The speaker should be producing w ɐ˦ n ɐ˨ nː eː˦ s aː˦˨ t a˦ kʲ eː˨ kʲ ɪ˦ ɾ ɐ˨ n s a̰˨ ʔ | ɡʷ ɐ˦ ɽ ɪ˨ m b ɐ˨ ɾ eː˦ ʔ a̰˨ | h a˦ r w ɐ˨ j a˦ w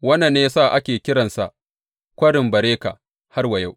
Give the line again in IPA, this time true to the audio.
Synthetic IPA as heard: w ɐ˦ n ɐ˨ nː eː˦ s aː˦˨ ʔ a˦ kʲ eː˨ kʲ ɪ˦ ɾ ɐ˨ n s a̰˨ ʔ | kʷ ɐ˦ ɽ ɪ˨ m b ɐ˨ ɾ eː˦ k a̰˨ | h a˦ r w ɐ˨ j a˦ w